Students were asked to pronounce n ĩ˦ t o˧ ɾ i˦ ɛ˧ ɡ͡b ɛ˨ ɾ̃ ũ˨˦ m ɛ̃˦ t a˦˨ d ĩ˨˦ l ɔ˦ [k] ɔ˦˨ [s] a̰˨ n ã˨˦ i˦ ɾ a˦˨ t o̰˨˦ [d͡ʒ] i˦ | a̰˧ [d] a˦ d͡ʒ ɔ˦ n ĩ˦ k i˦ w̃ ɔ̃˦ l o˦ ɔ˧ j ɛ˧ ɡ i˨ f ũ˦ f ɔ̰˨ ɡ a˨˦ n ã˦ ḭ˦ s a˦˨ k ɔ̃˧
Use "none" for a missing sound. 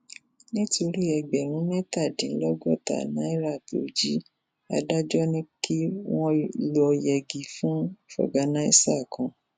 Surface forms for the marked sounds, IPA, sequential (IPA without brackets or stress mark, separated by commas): ɡ, t, d͡ʒ, d